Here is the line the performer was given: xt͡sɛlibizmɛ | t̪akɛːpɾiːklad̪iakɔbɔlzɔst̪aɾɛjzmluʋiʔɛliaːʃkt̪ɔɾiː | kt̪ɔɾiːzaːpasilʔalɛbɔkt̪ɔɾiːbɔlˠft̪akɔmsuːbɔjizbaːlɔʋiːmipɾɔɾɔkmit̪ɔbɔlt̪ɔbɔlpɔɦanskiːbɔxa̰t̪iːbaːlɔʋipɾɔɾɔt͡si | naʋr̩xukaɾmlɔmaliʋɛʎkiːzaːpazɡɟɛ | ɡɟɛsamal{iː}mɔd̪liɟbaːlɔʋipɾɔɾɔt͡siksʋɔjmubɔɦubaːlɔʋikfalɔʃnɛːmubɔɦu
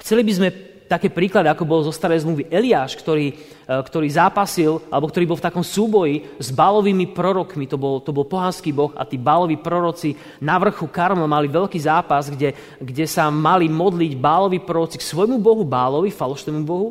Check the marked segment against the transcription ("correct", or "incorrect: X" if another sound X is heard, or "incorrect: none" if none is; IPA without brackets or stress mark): incorrect: i